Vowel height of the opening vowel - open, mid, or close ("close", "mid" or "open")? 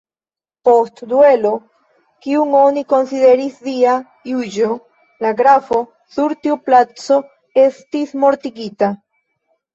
mid